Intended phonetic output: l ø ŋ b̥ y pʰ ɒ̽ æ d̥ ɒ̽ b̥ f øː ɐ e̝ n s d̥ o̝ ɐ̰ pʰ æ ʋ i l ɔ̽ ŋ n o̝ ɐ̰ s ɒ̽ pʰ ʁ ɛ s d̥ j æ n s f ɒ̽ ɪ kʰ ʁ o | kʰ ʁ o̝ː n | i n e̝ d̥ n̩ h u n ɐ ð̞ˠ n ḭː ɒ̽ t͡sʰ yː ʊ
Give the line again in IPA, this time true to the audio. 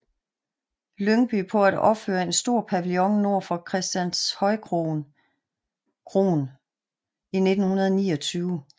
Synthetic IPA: l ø ŋ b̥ y pʰ ɒ̽ æ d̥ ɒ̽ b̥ f øː ɐ e̝ n s d̥ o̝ ɐ̰ pʰ æ ʋ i l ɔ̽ ŋ n o̝ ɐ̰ f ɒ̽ kʰ ʁ ɛ s d̥ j æ n s h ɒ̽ ɪ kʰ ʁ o | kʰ ʁ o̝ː n | i n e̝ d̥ n̩ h u n ɐ ð̞ˠ n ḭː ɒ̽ t͡sʰ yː ʊ